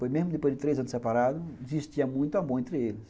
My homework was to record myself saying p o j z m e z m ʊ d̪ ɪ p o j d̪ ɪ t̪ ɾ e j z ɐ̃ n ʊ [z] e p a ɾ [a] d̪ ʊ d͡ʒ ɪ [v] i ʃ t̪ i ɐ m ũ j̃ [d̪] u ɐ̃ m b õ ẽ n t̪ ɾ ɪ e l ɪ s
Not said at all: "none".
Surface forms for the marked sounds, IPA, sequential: s, a, z, t̪

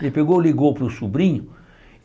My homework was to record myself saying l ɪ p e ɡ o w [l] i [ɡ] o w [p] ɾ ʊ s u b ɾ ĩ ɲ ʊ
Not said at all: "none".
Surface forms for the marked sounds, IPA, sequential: l, ɡ, p

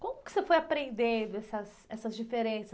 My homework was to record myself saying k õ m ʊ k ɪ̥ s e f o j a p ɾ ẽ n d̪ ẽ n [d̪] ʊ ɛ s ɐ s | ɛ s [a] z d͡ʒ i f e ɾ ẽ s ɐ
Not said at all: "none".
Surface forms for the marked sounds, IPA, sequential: d̪, ɐ

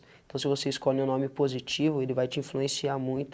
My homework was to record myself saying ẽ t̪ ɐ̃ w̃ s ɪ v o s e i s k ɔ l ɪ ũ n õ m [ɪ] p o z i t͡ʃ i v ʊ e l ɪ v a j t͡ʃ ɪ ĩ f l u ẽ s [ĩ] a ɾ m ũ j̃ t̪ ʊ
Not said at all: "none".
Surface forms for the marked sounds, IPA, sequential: ɪ, i

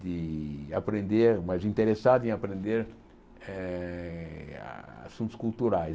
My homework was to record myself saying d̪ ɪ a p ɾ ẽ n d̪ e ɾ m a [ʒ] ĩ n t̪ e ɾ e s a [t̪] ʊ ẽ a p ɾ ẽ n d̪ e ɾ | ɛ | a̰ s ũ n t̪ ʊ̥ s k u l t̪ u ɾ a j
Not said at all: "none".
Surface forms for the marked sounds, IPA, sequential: z, d̪

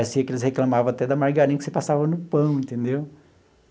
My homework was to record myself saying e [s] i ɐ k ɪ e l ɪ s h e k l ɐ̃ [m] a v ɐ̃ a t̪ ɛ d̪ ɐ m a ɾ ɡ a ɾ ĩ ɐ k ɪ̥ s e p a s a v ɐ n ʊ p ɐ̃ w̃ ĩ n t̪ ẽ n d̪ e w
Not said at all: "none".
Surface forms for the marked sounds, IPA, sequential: s, m

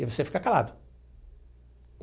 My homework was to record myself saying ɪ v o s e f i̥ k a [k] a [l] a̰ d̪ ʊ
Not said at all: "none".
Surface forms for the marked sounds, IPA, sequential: k, l

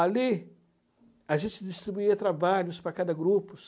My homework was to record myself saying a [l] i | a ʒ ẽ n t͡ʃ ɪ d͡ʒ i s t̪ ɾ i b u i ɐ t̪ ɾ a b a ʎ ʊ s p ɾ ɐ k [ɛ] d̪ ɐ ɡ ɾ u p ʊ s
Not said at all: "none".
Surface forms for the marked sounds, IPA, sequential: l, a

